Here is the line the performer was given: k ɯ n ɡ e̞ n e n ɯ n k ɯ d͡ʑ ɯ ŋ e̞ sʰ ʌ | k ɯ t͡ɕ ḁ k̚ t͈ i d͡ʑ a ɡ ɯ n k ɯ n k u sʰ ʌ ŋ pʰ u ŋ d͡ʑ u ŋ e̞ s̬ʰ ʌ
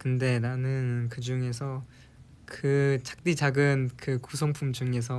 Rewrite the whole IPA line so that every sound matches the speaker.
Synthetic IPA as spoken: k ɯ n d e̞ n a n ɯ n k ɯ d͡ʑ u ŋ e̞ sʰ ʌ | k ɯ t͡ɕ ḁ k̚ t͈ i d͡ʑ a ɡ ɯ n k ɯ k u sʰ ʌ ŋ pʰ u m d͡ʑ u ŋ e̞ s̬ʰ ʌ